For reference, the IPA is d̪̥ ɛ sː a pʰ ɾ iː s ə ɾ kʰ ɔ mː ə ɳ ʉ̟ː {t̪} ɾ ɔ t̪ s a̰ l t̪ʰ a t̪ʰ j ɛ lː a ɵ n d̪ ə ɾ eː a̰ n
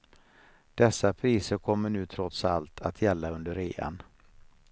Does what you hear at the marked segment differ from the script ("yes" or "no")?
yes